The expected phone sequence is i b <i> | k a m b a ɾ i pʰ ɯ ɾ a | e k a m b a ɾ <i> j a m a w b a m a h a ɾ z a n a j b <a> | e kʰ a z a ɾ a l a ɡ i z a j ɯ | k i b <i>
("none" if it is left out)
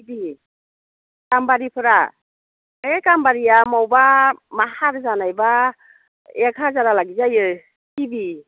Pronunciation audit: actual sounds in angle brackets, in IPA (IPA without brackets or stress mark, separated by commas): i, i, a, i